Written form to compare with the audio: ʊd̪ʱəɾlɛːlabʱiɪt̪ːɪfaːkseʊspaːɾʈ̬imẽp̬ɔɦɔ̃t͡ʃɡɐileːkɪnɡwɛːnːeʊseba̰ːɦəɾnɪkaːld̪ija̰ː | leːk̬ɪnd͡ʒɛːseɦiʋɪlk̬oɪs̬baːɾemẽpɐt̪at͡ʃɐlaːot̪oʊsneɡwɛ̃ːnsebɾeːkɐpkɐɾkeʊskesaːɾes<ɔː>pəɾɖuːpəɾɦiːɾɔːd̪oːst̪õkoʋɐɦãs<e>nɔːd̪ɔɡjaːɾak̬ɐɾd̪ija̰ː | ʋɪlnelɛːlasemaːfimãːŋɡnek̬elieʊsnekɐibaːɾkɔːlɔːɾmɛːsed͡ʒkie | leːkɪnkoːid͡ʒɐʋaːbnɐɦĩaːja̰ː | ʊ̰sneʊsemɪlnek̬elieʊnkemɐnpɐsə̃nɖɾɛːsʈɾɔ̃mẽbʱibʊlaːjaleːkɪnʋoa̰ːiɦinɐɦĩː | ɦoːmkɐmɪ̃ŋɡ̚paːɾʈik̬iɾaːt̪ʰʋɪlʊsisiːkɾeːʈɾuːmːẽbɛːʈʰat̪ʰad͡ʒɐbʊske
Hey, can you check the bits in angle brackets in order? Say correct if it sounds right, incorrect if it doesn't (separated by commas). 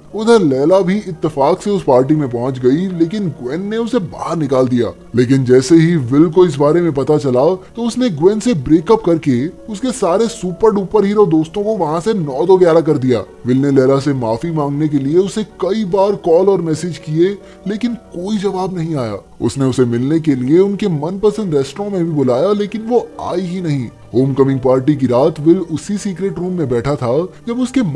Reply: incorrect, correct